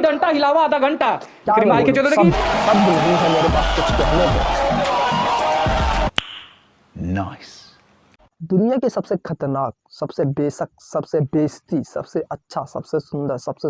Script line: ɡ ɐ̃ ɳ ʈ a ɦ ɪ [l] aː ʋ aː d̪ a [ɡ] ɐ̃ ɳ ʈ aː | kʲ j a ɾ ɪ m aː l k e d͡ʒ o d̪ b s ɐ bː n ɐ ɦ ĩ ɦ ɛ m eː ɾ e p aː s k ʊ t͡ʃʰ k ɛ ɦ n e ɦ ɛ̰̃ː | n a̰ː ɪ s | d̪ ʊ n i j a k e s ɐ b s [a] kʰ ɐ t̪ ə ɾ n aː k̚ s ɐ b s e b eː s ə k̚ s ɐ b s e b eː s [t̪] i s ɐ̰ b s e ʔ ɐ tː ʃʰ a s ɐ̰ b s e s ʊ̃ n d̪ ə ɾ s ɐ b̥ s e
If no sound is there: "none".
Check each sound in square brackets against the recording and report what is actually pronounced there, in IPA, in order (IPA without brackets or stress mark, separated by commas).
l, ɡ, e, t̪